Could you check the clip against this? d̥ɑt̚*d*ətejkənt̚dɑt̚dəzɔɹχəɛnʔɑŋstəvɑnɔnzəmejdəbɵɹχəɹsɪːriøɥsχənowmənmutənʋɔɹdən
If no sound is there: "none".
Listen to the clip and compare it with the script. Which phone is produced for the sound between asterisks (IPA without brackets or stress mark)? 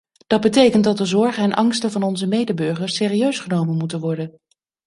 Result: b